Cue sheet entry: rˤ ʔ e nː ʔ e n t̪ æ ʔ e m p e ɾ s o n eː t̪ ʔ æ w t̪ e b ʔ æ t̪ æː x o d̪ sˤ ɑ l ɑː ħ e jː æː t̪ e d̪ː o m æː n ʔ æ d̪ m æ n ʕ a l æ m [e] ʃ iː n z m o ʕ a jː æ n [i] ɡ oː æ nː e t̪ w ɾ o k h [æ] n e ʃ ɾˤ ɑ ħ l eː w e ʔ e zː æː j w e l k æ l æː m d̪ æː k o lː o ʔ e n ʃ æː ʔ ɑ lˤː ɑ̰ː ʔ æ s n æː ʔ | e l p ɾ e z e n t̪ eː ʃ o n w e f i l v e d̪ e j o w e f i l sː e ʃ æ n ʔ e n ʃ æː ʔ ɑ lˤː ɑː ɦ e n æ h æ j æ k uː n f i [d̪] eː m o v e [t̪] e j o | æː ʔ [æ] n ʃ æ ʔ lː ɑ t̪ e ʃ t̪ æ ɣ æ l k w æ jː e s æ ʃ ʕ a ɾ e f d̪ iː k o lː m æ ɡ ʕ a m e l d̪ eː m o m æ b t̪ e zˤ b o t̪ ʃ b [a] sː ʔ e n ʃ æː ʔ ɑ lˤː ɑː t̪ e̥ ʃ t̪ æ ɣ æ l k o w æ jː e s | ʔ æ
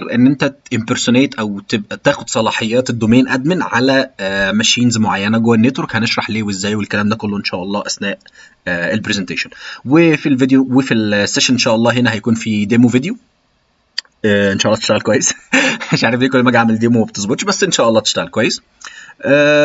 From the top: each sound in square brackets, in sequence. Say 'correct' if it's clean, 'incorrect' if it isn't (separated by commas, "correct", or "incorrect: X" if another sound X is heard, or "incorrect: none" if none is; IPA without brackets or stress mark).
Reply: incorrect: æ, incorrect: æ, correct, correct, incorrect: d̪, incorrect: e, incorrect: æ